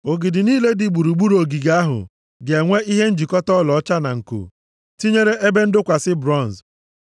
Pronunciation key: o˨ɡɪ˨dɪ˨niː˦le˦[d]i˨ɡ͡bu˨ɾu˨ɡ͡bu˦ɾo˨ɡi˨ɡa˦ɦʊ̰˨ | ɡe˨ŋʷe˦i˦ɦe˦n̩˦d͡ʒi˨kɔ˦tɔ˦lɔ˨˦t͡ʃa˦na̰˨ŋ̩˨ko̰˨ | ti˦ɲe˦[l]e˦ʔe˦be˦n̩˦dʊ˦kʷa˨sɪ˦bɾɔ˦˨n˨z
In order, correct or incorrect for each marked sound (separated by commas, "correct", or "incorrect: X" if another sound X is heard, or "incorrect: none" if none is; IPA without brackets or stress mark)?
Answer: correct, incorrect: ɾ